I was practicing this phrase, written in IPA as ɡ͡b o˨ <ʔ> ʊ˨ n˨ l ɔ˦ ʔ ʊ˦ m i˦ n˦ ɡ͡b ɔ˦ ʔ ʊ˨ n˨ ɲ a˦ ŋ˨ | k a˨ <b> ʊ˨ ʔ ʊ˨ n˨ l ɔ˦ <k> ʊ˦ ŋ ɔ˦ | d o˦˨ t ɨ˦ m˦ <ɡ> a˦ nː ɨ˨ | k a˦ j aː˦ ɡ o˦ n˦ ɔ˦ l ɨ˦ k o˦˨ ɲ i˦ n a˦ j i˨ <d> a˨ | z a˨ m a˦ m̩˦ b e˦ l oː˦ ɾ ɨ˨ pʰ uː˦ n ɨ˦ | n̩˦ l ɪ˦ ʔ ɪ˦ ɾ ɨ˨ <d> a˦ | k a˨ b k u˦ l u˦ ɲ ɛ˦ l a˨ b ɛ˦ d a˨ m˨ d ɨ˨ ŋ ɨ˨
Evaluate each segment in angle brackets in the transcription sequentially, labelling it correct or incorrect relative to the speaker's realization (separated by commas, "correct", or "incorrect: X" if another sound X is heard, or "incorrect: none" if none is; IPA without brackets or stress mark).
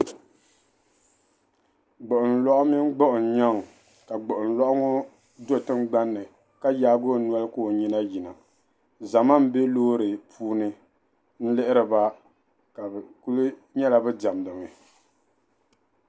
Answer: correct, incorrect: ɡ͡b, incorrect: ʔ, incorrect: ɡ͡b, incorrect: n, incorrect: b